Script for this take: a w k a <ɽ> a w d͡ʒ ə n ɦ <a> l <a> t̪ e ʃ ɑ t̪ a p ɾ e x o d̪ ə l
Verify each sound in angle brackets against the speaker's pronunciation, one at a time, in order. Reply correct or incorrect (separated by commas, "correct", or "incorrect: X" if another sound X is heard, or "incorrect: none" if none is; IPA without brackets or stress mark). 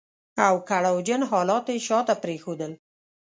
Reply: correct, incorrect: ɑ, incorrect: ɑ